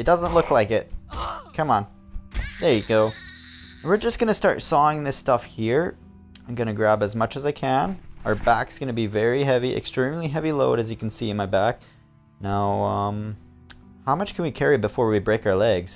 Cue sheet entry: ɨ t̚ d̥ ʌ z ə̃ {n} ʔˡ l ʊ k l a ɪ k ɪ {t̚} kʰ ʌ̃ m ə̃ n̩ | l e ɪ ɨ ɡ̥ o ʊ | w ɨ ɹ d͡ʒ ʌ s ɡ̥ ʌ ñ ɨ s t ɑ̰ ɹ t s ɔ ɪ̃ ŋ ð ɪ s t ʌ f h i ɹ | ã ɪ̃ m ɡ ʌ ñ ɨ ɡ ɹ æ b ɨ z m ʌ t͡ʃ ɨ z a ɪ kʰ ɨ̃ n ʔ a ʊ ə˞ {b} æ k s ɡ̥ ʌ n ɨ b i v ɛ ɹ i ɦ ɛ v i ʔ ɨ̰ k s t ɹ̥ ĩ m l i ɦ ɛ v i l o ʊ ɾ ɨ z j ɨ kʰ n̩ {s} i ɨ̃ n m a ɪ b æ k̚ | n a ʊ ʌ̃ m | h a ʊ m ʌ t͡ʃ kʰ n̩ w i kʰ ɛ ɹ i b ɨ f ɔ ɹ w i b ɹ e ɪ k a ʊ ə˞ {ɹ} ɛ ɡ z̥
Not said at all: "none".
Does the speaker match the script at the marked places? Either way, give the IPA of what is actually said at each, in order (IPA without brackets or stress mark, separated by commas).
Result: n, t̚, b, s, l